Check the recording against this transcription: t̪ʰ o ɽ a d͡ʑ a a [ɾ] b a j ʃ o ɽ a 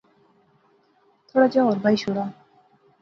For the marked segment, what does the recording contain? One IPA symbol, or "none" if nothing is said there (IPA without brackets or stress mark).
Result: ɾ